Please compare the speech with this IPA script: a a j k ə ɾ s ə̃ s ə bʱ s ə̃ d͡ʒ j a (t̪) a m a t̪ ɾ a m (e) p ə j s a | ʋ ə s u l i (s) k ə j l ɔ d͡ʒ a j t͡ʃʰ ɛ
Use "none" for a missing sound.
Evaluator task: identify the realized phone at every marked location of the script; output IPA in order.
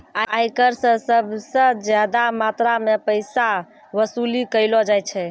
d̪, e, none

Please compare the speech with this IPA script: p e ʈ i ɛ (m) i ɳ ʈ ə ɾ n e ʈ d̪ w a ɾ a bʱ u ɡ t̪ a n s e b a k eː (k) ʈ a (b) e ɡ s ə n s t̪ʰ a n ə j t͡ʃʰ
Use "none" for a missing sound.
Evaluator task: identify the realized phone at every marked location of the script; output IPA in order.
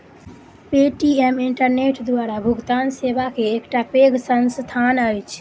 m, k, p

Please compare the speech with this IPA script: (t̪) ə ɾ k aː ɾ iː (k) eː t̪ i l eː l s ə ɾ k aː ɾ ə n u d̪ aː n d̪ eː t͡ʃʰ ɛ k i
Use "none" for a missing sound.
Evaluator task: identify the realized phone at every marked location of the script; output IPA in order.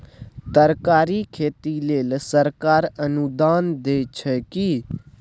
t̪, kʰ

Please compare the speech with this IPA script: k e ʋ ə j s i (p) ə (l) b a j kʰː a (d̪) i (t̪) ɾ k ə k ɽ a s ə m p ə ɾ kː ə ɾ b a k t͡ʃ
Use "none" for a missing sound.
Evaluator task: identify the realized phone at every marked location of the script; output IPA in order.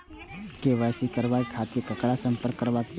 k, ɾ, t̪, none

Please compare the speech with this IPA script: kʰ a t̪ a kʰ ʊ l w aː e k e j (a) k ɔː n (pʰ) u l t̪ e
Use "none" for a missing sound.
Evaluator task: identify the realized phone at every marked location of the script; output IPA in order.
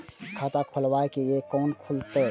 e, kʰ

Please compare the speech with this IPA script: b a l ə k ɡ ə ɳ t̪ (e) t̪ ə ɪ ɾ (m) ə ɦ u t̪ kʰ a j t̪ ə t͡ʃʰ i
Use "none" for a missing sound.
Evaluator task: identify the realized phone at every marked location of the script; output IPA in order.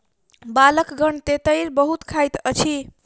e, b

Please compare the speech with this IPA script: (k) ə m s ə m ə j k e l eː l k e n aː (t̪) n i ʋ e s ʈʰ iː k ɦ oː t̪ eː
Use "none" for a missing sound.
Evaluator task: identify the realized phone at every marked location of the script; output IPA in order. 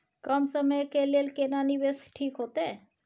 k, none

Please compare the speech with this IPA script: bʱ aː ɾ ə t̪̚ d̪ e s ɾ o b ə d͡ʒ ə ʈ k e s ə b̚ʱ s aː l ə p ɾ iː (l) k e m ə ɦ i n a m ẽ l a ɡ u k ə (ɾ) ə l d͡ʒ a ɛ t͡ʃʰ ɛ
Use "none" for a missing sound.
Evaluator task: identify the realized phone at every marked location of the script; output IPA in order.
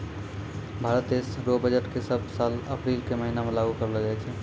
l, ɾ

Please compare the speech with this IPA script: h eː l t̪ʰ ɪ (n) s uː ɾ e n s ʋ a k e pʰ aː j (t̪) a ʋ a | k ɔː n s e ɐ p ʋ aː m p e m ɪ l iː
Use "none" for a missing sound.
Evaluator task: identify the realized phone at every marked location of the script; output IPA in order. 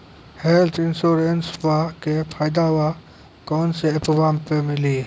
n, d̪

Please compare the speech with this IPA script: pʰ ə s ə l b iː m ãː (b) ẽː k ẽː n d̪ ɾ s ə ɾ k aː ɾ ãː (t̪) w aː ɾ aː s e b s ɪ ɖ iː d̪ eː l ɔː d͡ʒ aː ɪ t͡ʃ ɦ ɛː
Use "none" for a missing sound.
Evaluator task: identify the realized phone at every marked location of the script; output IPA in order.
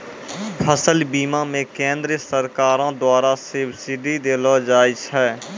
m, d̪

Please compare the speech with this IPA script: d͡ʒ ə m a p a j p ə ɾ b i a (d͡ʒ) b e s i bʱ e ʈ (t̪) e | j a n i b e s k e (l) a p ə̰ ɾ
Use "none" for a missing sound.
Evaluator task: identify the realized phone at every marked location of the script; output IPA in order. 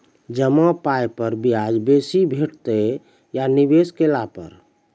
d͡ʒ, t̪, l

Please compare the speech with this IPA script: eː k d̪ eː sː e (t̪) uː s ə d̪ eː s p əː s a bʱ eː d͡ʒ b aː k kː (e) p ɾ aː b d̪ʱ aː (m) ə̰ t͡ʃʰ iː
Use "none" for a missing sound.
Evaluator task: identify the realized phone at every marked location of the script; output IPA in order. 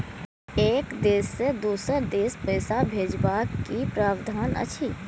d̪, i, n

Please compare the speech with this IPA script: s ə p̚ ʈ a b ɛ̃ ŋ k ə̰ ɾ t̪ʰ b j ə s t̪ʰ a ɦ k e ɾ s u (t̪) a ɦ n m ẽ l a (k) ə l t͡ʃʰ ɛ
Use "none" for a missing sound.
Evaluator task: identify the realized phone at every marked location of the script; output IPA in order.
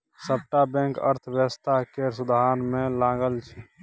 d̪, ɡ

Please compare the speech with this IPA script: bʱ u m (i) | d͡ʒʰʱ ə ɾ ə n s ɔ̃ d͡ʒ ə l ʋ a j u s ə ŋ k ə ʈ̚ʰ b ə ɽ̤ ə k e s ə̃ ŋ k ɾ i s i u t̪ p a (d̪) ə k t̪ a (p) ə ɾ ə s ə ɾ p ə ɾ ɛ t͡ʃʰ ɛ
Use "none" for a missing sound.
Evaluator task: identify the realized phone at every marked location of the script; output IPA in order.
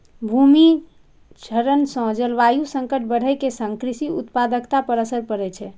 i, d̪, p

